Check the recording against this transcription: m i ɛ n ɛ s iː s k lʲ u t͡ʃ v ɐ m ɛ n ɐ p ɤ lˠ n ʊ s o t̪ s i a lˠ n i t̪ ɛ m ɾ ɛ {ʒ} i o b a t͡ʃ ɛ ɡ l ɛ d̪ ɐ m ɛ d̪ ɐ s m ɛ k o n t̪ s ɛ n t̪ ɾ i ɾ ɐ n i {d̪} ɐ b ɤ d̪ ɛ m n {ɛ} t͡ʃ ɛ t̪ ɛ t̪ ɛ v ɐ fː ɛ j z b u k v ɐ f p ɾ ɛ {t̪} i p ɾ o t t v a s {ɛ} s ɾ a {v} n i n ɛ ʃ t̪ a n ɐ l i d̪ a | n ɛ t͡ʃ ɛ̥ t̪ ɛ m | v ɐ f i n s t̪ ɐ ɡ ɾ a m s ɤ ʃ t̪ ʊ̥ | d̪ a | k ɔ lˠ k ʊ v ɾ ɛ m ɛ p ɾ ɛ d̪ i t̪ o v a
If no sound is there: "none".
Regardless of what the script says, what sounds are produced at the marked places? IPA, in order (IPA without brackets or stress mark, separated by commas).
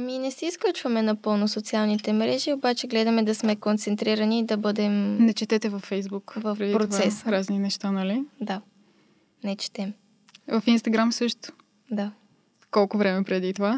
ʒ, d̪, ɛ, d̪, ɛ, z